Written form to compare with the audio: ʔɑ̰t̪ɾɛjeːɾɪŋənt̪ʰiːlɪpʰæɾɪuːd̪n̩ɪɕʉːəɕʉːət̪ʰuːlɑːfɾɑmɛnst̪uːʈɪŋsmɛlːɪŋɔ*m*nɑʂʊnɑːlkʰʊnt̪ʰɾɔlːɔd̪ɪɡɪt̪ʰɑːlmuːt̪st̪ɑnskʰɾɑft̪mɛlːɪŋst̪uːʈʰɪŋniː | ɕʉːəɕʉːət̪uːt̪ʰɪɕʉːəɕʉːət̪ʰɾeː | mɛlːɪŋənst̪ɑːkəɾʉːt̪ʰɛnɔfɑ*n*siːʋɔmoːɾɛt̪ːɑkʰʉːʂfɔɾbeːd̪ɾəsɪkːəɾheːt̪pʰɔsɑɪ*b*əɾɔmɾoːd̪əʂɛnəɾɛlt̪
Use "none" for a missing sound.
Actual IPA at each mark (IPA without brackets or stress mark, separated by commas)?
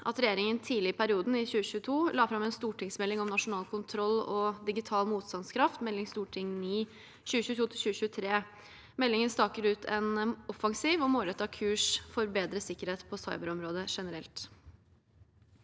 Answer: m, ŋ, b